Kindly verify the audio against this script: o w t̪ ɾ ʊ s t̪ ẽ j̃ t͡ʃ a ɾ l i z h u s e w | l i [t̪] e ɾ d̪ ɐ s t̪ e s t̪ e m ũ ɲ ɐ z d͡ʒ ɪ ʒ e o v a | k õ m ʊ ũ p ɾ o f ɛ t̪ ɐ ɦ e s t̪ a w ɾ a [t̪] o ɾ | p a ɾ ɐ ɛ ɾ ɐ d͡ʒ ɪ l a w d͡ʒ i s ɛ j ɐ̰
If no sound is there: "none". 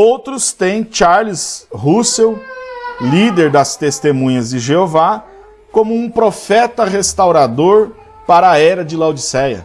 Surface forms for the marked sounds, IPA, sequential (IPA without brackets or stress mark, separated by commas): d̪, d̪